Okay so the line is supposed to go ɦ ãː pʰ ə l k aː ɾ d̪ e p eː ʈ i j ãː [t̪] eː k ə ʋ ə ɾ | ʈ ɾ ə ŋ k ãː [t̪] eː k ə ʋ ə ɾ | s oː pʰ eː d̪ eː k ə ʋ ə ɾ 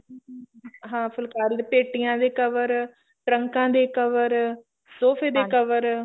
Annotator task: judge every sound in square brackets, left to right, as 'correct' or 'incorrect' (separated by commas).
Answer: incorrect, incorrect